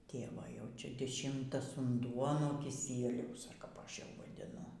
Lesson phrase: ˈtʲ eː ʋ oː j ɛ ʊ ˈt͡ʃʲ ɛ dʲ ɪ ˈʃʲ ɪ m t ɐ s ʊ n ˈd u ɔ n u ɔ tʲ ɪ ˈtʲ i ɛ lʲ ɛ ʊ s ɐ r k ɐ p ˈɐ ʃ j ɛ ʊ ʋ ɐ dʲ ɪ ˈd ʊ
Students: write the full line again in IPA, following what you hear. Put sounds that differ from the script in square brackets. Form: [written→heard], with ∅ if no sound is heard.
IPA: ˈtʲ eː ʋ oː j ɛ ʊ ˈt͡ʃʲ ɛ dʲ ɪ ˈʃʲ ɪ m t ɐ s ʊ n ˈd u ɔ n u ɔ [tʲ→kʲ] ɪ [ˈtʲ→ˈsʲ] i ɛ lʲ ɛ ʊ s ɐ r k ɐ p ˈɐ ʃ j ɛ ʊ ʋ ɐ dʲ ɪ [ˈd→ˈn] ʊ